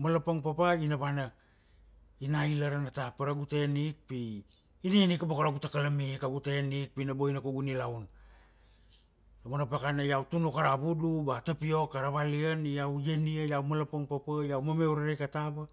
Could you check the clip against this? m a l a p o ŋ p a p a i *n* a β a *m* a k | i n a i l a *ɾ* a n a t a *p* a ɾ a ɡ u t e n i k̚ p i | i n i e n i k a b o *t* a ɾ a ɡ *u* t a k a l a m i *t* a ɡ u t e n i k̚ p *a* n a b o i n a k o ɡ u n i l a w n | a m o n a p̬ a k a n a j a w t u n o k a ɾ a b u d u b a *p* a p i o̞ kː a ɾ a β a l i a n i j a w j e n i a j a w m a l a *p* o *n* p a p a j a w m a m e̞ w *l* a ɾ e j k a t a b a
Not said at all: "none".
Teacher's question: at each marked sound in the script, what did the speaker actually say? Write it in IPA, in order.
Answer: n, n, ɾ, p, k, u, k, i, t, p, ŋ, ɾ

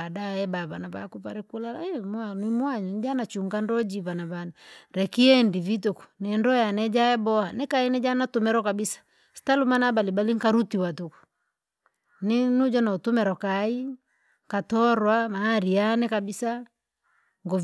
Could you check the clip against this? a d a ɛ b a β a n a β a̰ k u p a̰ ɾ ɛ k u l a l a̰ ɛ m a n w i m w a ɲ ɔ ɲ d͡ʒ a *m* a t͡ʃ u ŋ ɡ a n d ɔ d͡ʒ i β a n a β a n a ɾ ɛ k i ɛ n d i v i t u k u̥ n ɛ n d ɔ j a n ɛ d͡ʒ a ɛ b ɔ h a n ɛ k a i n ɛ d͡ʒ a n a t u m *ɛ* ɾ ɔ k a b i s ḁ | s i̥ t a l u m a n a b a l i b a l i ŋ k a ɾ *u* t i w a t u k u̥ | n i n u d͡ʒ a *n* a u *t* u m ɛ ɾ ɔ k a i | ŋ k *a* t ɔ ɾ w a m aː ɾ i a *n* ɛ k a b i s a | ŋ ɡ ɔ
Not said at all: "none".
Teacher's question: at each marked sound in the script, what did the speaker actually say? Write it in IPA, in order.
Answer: n, ɛ, u, n, t, a, n

